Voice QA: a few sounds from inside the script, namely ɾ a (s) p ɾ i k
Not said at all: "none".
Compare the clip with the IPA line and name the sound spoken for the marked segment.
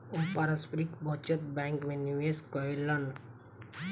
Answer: s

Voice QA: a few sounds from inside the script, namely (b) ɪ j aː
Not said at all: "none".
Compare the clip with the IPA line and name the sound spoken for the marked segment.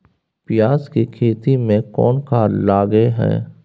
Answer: p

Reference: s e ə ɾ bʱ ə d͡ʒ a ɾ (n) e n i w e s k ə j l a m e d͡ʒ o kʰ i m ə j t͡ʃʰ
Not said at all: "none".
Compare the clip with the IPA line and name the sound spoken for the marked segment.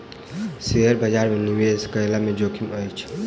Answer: m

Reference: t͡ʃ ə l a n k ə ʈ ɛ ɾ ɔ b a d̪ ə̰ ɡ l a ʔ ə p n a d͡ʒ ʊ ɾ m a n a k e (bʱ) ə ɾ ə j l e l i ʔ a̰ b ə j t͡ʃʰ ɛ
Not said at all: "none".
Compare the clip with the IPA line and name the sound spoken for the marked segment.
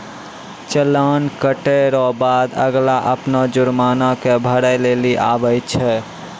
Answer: bʱ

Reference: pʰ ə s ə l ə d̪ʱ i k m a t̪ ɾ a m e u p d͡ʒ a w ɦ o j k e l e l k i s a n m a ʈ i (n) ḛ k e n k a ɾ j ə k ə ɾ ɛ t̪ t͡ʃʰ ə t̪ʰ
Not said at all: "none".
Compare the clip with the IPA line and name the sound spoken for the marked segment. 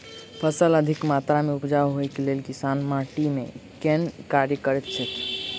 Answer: m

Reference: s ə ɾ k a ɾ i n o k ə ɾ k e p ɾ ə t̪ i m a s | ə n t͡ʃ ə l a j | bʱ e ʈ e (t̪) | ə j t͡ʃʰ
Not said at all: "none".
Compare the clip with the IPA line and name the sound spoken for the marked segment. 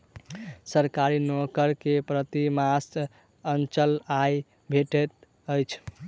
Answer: t̪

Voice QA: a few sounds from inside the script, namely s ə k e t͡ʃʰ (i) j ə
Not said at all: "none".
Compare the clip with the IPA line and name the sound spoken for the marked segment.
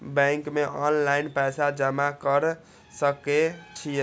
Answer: i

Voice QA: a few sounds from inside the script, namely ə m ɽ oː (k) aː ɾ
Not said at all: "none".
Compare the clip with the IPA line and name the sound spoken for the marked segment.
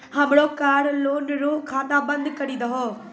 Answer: k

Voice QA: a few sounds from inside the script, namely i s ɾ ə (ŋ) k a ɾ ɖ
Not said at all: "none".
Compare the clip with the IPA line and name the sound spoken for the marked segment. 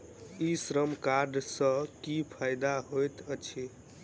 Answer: m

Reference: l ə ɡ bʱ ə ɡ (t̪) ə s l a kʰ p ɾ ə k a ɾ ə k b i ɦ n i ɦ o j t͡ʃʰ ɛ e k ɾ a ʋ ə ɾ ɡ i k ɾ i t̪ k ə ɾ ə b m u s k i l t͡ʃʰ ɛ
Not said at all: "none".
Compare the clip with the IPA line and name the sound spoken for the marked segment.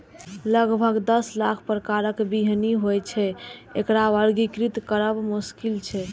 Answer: d̪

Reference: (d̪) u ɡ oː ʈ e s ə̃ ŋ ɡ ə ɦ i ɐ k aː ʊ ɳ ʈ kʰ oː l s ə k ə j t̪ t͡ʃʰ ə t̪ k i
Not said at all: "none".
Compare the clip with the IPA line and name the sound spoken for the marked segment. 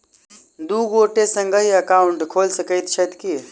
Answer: d̪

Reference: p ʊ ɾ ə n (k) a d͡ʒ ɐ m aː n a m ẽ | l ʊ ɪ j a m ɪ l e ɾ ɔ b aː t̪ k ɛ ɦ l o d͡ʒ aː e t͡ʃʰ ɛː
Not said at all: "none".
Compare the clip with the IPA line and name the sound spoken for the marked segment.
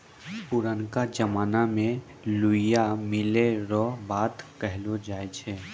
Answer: k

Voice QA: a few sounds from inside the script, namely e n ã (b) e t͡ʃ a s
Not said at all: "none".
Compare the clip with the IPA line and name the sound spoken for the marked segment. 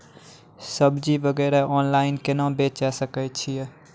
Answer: b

